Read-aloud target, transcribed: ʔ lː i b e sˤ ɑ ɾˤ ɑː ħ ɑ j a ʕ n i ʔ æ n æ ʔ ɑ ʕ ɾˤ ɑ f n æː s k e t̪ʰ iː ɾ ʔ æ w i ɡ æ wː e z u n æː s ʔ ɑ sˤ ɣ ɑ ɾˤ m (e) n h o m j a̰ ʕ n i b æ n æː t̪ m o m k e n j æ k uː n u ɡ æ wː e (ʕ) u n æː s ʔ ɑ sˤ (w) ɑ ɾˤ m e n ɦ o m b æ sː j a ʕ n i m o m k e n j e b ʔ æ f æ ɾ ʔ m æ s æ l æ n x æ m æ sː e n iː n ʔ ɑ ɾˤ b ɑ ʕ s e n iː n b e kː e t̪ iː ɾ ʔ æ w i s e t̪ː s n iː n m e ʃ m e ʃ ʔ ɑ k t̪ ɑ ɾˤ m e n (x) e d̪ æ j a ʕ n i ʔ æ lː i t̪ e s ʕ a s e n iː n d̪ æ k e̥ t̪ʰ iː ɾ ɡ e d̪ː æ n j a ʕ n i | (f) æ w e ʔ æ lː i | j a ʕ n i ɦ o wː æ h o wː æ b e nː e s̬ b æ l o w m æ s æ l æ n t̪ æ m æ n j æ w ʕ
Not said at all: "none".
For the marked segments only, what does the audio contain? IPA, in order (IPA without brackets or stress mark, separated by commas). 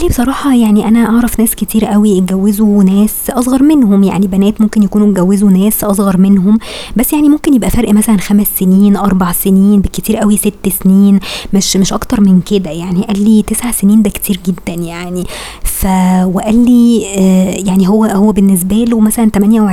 e, z, ɣ, k, f